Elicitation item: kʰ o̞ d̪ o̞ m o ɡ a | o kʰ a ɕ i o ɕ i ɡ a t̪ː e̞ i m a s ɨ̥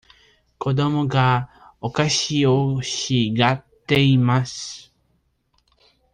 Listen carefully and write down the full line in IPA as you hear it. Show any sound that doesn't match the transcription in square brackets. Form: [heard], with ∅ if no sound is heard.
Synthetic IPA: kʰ o̞ d̪ o̞ m o ɡ a | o [k] a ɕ i o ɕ i ɡ a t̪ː e̞ i m a s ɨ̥